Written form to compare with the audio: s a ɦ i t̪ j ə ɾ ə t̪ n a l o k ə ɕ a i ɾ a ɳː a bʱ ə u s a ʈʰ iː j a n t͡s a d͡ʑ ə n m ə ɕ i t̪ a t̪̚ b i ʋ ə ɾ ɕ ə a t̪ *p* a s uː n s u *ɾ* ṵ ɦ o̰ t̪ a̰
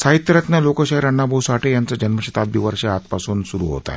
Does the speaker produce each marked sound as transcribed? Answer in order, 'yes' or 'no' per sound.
yes, yes

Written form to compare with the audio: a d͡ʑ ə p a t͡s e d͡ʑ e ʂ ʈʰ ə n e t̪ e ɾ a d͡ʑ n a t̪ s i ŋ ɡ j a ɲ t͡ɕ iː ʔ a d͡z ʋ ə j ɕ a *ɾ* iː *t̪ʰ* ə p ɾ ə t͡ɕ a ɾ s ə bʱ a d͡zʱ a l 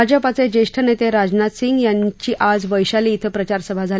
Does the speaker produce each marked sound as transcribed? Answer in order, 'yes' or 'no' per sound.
no, yes

